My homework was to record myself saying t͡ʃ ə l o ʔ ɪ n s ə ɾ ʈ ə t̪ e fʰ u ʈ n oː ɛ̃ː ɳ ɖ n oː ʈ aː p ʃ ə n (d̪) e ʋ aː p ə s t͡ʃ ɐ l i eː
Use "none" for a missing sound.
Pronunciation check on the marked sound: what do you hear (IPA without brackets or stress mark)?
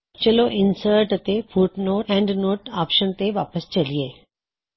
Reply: t̪